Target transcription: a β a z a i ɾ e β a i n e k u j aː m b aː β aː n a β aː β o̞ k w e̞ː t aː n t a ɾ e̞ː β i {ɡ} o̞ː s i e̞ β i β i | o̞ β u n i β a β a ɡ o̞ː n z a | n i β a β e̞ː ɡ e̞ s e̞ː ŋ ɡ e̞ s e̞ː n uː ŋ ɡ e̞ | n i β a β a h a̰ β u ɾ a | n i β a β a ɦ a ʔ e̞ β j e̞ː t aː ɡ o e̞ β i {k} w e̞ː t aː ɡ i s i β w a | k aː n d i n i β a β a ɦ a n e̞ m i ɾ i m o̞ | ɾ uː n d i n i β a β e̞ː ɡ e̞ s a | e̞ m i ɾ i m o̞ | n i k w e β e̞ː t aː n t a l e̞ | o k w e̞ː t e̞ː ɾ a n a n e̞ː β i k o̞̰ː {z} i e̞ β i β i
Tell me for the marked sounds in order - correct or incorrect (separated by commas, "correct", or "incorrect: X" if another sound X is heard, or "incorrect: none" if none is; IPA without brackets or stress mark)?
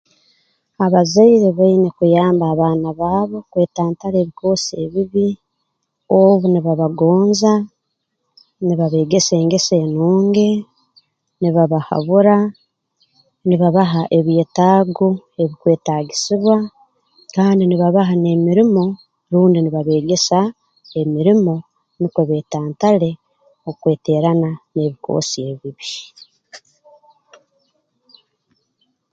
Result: incorrect: k, correct, incorrect: s